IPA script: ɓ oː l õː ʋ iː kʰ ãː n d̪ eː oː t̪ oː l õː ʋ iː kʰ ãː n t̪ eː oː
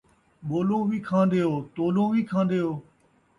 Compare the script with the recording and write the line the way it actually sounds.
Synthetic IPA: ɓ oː l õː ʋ iː kʰ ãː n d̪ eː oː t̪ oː l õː ʋ iː kʰ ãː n d̪ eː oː